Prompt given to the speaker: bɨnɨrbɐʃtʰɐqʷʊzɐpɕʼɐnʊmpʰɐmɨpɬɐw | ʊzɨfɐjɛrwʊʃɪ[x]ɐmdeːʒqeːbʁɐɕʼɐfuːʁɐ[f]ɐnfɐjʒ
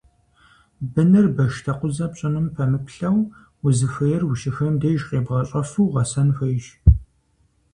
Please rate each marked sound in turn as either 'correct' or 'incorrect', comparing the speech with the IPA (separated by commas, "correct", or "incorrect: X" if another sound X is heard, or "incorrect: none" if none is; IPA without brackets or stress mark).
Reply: correct, incorrect: s